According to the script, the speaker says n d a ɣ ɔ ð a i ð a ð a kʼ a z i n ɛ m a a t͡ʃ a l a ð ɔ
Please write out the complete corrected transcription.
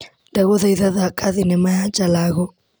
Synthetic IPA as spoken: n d a ɣ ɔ ð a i ð a ð a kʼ a ð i n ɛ m a a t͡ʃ a l a ɣ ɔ